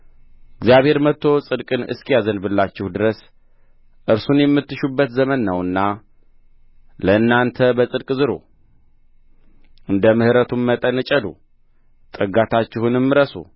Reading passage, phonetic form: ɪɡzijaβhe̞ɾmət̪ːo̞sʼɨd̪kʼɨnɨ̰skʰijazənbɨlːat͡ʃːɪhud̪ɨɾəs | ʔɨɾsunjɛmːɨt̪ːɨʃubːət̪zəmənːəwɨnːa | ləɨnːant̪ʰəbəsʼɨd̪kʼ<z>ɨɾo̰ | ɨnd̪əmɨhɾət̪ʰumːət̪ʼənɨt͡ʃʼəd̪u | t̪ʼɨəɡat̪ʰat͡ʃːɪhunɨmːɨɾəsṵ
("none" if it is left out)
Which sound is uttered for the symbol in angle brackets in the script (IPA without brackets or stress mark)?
z